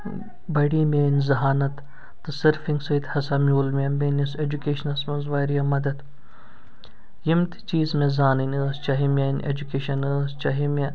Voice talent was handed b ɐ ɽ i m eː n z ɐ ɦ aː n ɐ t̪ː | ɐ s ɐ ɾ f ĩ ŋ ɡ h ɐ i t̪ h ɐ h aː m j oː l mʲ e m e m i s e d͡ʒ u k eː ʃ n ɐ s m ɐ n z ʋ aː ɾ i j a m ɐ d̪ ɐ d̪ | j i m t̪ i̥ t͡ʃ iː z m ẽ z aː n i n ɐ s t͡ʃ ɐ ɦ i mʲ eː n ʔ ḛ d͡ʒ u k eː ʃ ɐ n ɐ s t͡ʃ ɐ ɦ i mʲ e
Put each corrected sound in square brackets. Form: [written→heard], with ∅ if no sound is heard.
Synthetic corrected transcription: b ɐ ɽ i m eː n z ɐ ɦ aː n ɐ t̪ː | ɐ s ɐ ɾ f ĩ ŋ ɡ [h→s] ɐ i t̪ h ɐ [h→s] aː m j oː l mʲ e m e [m→n] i s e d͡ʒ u k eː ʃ n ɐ s m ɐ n z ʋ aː ɾ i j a m ɐ d̪ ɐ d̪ | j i m t̪ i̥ t͡ʃ iː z m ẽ z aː n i n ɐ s t͡ʃ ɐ ɦ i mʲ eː n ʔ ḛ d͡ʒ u k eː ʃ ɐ n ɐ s t͡ʃ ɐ ɦ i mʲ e